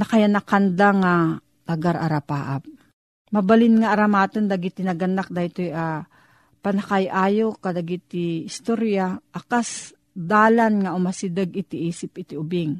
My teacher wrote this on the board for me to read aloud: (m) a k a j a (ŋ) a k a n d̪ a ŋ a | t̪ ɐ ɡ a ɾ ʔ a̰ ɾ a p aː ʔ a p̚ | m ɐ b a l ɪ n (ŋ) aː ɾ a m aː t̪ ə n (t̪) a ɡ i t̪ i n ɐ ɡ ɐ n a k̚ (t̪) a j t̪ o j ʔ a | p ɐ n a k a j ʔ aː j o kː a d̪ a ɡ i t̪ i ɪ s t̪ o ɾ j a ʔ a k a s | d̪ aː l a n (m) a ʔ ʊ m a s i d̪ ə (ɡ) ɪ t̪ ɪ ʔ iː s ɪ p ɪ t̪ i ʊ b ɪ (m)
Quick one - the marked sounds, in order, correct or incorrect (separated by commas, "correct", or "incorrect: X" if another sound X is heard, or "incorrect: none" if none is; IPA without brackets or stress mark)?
incorrect: n, incorrect: n, correct, incorrect: d̪, incorrect: d̪, incorrect: ŋ, correct, incorrect: ŋ